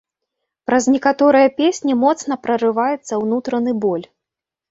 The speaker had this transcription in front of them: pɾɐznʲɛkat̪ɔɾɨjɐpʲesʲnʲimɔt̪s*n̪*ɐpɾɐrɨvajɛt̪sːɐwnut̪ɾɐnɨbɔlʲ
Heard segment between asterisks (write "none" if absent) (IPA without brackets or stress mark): n̪